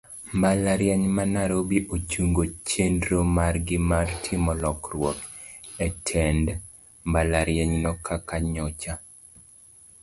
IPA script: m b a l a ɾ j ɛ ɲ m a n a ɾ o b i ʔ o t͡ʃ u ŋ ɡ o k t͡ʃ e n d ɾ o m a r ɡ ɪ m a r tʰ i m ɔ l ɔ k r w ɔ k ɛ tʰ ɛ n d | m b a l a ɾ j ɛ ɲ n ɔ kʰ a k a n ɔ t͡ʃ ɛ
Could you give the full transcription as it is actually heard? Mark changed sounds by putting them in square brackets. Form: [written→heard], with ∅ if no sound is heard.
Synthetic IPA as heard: m b a l a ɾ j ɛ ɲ m a n a ɾ o b i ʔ o t͡ʃ u ŋ ɡ o [k→∅] t͡ʃ e n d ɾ o m a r ɡ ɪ m a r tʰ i m ɔ l ɔ k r w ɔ k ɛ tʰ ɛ n d | m b a l a ɾ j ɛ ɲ n ɔ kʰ a k a [n→ɲ] ɔ t͡ʃ [ɛ→a]

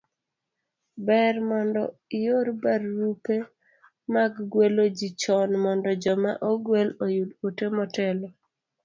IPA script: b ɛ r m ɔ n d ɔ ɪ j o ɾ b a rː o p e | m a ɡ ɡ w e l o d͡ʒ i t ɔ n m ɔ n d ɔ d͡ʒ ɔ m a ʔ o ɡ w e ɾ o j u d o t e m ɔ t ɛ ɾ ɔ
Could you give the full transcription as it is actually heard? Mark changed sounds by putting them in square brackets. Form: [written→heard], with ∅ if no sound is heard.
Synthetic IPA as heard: b ɛ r m ɔ n d ɔ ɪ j o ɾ b a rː [o→u] p e | m a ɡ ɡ w e l o d͡ʒ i [t→t͡ʃ] ɔ n m ɔ n d ɔ d͡ʒ ɔ m a ʔ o ɡ w e [ɾ→l] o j u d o t e m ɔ t ɛ [ɾ→l] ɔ

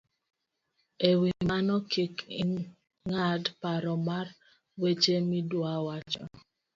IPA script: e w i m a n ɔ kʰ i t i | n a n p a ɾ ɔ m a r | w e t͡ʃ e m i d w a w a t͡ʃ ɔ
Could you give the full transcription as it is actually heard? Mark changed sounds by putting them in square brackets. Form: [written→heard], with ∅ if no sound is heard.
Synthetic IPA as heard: e w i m a n ɔ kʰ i [t→k] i | [n→ŋ] a [n→d] p a ɾ ɔ m a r | w e t͡ʃ e m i d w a w a t͡ʃ ɔ

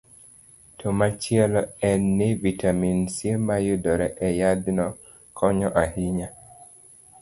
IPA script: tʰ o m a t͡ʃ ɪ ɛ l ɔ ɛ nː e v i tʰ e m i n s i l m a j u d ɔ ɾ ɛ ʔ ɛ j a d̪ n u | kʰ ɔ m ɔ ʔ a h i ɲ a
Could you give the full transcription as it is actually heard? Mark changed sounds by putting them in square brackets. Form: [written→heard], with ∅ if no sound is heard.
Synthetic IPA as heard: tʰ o m a t͡ʃ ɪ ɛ l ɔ ɛ nː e v i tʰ [e→a] m i n s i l m a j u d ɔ ɾ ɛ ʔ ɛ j a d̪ n [u→ɔ] | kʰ ɔ [m→ɲ] ɔ ʔ a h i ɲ a

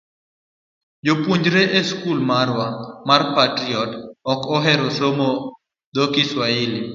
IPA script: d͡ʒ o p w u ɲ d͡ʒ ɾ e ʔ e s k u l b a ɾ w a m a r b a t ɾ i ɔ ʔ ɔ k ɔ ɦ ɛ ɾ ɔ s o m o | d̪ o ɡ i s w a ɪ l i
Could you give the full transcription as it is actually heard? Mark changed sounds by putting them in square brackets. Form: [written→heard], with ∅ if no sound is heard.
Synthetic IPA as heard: d͡ʒ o p w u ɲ d͡ʒ ɾ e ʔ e s k u l [b→m] a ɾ w a m a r [b→p] a t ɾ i ɔ [ʔ→t] ɔ k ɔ ɦ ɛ ɾ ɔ s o m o | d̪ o [ɡ→k] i s w a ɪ l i

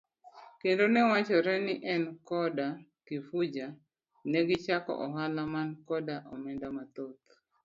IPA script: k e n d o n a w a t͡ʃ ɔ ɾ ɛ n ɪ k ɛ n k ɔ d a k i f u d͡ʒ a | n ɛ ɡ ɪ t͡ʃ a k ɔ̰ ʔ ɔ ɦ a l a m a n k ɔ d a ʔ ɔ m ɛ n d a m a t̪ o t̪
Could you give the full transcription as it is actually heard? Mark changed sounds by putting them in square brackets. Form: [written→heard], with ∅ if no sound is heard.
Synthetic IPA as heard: k e n d o n [a→ɛ] w a t͡ʃ ɔ ɾ ɛ n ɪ [k→ʔ] ɛ n k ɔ d a k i f u d͡ʒ a | n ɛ ɡ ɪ t͡ʃ a k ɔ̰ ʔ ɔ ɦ a l a m a n k ɔ d a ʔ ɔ m ɛ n d a m a t̪ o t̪

